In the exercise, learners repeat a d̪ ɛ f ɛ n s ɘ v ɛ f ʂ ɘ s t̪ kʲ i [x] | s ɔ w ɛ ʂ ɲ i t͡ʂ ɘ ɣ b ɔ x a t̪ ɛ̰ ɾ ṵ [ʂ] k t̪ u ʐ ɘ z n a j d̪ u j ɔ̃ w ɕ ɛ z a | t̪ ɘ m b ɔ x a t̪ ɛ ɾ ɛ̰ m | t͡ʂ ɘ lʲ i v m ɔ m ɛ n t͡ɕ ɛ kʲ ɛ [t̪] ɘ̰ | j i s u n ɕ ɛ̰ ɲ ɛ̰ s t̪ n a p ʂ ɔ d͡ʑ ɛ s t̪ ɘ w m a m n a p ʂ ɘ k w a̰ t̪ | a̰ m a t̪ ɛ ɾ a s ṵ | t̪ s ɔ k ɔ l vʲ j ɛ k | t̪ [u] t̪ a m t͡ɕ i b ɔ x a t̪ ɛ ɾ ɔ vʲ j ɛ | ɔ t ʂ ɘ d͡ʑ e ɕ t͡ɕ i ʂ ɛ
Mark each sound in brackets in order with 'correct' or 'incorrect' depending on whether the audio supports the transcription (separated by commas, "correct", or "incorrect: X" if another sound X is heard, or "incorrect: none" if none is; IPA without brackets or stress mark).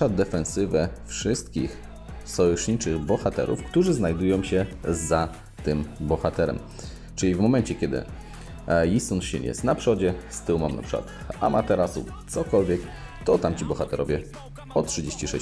correct, incorrect: f, incorrect: d̪, incorrect: ɔ